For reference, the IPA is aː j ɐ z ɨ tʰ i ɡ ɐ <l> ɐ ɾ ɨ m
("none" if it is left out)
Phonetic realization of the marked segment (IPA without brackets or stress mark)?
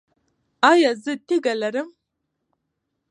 l